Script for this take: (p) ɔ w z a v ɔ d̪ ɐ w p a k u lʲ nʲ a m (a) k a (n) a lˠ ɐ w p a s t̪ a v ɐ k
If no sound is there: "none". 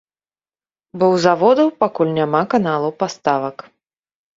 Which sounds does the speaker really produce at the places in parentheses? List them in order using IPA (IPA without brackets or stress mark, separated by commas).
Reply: b, a, n